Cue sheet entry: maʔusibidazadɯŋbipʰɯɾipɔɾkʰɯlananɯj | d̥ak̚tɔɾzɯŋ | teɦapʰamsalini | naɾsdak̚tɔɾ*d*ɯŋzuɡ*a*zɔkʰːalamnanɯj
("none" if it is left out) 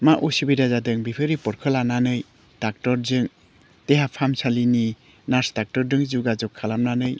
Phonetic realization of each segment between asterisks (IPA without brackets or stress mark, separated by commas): d, a